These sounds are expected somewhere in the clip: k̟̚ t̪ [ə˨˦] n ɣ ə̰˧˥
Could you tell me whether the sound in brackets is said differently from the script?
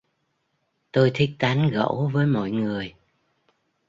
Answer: yes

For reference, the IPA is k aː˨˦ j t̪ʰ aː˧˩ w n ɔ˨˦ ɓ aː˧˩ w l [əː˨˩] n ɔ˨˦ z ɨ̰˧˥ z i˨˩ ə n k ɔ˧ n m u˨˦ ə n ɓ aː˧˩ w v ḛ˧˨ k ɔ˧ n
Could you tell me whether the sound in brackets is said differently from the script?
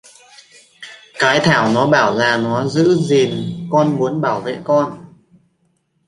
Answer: yes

